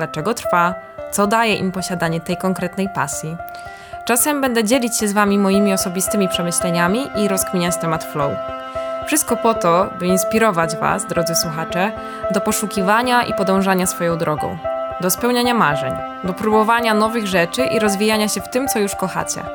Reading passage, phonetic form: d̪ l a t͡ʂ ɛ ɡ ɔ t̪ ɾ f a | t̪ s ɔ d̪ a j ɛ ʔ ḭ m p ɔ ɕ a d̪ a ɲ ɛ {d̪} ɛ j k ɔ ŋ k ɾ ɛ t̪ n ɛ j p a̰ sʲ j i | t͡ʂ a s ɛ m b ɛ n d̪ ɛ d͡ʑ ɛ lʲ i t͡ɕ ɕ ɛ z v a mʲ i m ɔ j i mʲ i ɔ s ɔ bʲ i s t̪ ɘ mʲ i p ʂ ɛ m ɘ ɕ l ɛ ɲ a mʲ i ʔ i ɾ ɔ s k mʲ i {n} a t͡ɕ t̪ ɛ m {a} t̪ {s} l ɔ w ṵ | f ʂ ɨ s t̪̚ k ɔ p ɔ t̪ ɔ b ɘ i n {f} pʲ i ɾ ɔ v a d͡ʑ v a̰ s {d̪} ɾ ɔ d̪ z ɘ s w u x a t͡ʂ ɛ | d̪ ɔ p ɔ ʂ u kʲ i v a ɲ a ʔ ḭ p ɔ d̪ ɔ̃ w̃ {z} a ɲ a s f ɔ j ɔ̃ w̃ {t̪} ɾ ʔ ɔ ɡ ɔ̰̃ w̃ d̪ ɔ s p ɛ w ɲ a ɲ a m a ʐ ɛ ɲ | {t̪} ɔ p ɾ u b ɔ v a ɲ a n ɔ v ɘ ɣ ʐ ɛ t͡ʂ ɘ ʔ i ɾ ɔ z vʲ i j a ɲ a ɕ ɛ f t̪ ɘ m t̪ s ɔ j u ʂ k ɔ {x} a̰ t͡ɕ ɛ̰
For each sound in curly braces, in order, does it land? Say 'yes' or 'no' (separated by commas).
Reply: no, no, yes, no, no, yes, no, no, no, yes